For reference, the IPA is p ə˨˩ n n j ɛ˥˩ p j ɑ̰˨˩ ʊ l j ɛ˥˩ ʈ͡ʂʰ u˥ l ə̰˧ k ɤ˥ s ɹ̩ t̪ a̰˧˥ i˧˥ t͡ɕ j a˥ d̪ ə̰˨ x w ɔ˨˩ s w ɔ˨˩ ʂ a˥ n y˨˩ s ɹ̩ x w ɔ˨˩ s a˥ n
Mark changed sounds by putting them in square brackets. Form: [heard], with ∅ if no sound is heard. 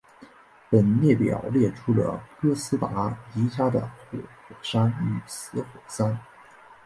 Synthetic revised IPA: p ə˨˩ n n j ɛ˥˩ p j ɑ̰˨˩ ʊ l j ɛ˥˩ ʈ͡ʂʰ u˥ l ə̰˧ k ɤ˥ s ɹ̩ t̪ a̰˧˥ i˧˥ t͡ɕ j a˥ d̪ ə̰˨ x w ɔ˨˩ [x] w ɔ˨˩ ʂ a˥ n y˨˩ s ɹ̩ x w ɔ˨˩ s a˥ n